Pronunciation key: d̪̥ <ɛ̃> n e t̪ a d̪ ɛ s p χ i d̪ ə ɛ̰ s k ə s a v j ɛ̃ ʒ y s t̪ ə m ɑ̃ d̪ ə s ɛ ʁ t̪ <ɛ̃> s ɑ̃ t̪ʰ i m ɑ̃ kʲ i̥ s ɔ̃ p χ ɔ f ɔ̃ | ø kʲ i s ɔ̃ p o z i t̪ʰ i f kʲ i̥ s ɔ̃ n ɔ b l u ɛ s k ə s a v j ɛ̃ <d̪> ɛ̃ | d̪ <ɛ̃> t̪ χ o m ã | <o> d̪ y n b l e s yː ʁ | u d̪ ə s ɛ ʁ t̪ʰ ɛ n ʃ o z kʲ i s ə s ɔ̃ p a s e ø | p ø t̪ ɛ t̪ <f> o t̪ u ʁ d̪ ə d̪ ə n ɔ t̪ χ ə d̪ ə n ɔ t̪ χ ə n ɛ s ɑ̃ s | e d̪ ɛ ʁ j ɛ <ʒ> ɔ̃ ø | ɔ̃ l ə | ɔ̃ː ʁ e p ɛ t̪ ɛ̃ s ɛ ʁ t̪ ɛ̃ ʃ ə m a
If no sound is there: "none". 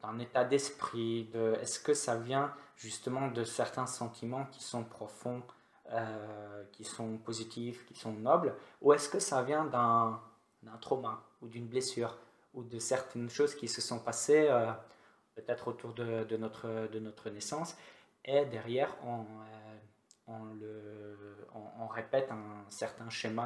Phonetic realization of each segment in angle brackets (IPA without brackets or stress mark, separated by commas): ɛ̃, ɛ̃, d̪, ɛ̃, u, χ, ʁ